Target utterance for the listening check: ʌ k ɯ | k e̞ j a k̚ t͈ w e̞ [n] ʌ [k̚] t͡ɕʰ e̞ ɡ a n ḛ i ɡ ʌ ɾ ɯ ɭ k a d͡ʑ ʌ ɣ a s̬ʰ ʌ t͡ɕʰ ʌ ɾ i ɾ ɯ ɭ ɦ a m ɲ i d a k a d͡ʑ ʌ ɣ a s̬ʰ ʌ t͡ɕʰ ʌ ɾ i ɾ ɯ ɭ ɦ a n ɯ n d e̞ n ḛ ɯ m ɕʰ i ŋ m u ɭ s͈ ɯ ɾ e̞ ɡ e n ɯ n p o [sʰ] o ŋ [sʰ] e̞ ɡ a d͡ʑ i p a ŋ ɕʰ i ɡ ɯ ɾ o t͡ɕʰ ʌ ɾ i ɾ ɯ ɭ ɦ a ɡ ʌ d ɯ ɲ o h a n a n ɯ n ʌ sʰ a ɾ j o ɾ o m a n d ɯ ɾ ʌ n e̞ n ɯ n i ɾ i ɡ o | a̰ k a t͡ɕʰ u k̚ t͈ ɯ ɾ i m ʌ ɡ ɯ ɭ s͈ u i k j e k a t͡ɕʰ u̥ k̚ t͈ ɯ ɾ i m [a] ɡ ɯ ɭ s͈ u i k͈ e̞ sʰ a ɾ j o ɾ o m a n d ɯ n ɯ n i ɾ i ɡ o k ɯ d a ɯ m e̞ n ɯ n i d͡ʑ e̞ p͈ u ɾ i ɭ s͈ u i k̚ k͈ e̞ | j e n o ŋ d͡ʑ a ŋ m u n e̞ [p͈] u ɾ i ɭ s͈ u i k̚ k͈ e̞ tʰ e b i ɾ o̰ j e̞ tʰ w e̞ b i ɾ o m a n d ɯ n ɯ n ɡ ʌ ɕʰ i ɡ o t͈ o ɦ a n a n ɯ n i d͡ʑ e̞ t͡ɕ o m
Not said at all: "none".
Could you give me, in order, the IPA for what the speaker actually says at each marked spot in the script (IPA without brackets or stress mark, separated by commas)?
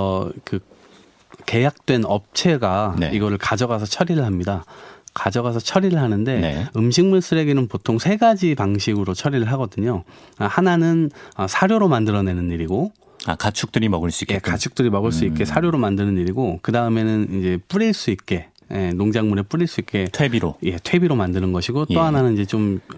n, p̚, tʰ, sʰ, ʌ, p͈